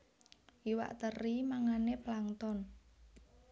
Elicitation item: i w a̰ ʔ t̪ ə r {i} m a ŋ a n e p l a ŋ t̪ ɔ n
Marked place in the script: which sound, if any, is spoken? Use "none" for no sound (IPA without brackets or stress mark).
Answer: i